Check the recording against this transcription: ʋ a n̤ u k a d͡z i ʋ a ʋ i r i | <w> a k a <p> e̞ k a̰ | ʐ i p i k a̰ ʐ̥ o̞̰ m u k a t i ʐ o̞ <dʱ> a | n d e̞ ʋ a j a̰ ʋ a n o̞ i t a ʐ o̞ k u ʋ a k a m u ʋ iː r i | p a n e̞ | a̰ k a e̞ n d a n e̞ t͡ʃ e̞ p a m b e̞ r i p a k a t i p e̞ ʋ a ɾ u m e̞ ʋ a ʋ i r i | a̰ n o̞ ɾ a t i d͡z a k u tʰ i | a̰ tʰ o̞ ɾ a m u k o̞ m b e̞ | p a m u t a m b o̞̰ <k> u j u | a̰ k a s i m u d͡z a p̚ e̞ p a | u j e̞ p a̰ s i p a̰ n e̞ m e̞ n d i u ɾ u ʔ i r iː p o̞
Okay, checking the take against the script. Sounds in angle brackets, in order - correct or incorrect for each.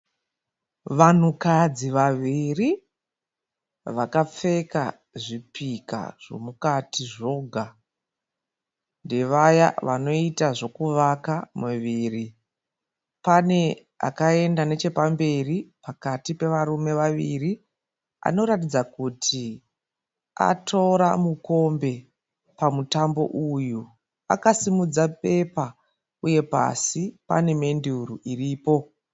incorrect, incorrect, incorrect, incorrect

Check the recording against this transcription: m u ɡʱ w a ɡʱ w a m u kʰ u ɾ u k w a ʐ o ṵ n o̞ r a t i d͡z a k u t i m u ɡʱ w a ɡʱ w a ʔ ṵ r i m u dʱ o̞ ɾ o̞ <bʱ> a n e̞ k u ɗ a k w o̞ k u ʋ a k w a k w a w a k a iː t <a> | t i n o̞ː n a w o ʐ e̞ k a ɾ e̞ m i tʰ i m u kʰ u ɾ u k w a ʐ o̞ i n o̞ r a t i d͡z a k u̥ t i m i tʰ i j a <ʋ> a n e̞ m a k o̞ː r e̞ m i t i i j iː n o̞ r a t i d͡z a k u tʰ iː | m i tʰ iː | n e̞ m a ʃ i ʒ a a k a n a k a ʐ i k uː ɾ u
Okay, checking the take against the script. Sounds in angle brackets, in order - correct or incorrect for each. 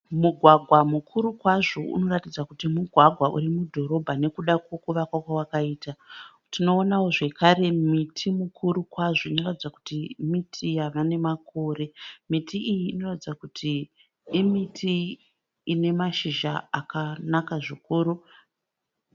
correct, correct, correct

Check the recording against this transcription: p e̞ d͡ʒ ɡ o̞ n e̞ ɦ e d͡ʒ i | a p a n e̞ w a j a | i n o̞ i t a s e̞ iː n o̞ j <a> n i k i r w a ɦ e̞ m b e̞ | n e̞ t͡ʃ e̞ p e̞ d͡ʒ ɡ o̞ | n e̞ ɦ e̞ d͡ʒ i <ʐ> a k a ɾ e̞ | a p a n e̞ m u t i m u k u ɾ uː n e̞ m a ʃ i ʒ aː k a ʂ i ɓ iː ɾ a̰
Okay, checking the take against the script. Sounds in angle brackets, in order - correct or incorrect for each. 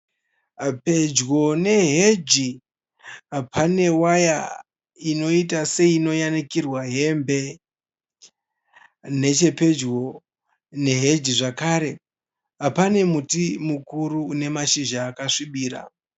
correct, correct

